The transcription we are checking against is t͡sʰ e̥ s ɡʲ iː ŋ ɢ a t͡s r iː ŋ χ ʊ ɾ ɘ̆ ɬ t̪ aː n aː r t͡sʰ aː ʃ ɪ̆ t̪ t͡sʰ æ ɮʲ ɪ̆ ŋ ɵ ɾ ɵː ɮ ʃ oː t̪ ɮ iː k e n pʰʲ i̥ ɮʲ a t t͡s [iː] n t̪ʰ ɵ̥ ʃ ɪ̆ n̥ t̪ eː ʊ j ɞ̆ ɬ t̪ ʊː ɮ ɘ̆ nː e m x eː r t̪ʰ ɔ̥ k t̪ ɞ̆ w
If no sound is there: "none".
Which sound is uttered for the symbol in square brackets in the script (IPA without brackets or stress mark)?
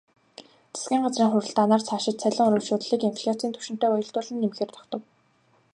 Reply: iː